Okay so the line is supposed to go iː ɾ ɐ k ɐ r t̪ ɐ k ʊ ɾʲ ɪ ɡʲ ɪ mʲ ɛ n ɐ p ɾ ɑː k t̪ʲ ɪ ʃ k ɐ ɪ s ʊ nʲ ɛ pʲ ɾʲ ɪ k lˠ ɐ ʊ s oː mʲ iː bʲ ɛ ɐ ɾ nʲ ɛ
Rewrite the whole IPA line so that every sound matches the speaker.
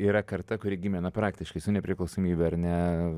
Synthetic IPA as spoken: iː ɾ ɐ k ɐ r t̪ ɐ k ʊ ɾʲ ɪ ɡʲ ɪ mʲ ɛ n ɐ p ɾ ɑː k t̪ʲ ɪ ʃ k ɐ ɪ s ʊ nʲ ɛ pʲ ɾʲ ɪ k lˠ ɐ ʊ s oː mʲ iː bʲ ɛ ɐ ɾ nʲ ɛ

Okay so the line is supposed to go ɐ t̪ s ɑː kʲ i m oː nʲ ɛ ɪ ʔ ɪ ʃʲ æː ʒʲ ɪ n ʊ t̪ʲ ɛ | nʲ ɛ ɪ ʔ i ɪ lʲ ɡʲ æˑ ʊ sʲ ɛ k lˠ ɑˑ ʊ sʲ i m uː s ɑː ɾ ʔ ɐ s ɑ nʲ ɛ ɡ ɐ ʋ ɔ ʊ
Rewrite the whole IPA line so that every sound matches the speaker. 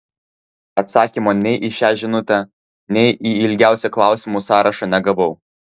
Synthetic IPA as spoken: ɐ t̪ s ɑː kʲ i m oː nʲ ɛ ɪ ʔ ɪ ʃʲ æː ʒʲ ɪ n ʊ t̪ʲ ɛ | nʲ ɛ ɪ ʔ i ɪ lʲ ɡʲ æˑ ʊ sʲ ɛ k lˠ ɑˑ ʊ sʲ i m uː s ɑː ɾ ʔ ɐ ʃ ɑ nʲ ɛ ɡ ɐ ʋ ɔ ʊ

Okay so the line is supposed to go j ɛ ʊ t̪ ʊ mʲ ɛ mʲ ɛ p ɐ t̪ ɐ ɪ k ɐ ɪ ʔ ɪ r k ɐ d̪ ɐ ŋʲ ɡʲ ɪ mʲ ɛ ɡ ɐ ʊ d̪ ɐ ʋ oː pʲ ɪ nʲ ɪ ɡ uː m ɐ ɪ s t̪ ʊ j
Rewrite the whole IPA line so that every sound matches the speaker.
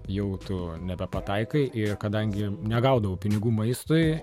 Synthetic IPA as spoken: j ɛ ʊ t̪ ʊ nʲ ɛ bʲ ɛ p ɐ t̪ ɐ ɪ k ɐ ɪ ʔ ɪ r k ɐ d̪ ɐ ŋʲ ɡʲ ɪ nʲ ɛ ɡ ɐ ʊ d̪ ɐ ʋ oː pʲ ɪ nʲ ɪ ɡ uː m ɐ ɪ s t̪ ʊ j

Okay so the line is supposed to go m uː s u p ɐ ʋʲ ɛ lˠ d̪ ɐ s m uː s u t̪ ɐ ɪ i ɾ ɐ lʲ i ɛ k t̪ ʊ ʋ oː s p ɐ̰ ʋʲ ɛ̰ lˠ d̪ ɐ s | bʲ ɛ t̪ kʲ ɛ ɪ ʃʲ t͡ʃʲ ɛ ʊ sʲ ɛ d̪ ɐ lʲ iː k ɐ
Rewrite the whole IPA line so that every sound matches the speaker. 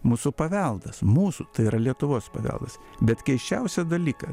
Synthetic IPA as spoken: m uː s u p ɐ ʋʲ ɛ lˠ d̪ ɐ s m uː s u t̪ ɐ ɪ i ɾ ɐ lʲ i ɛ t̪ ʊ ʋ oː s p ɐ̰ ʋʲ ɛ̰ lˠ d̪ ɐ s | bʲ ɛ t̪ kʲ ɛ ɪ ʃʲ t͡ʃʲ ɛ ʊ sʲ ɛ d̪ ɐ lʲ iː k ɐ

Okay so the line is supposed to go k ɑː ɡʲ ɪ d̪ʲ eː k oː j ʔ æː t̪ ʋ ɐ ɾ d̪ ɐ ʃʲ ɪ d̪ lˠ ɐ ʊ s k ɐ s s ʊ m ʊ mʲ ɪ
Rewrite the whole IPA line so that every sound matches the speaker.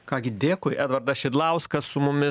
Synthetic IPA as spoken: k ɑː ɡʲ ɪ d̪ʲ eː k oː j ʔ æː d̪ ʋ ɐ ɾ d̪ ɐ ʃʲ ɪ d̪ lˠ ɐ ʊ s k ɐ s s ʊ m ʊ mʲ ɪ

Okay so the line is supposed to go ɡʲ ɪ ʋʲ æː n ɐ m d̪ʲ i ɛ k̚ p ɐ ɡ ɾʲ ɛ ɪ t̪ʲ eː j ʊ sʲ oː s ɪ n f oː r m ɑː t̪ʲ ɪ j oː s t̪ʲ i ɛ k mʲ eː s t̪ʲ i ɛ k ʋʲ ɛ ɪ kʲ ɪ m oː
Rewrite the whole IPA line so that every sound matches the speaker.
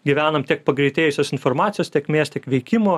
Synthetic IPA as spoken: ɡʲ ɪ ʋʲ æː n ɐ m t̪ʲ i ɛ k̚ p ɐ ɡ ɾʲ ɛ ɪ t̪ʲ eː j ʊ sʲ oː s ɪ n f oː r m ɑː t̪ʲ ɪ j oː s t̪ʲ i ɛ k mʲ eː s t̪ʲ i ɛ k ʋʲ ɛ ɪ kʲ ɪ m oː

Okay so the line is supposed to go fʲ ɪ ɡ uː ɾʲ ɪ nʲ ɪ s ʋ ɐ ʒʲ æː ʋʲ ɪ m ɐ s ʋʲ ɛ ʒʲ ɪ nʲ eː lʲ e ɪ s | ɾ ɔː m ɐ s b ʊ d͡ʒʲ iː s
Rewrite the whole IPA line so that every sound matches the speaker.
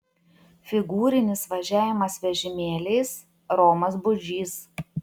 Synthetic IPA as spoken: fʲ ɪ ɡ uː ɾʲ ɪ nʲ ɪ s ʋ ɐ ʒʲ æː ʋʲ ɪ m ɐ s ʋʲ ɛ ʒʲ ɪ mʲ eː lʲ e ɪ s | ɾ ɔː m ɐ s b ʊ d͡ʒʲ iː s

